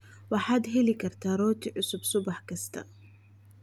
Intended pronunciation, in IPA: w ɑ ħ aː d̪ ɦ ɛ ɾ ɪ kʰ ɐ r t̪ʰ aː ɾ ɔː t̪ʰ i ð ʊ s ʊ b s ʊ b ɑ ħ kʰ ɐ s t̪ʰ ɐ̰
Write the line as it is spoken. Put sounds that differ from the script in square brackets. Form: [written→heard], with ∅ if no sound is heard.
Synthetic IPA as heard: w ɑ ħ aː d̪ ɦ ɛ [ɾ→l] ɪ kʰ ɐ r t̪ʰ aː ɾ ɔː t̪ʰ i [ð→ʕ] ʊ s ʊ b s ʊ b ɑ ħ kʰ ɐ s t̪ʰ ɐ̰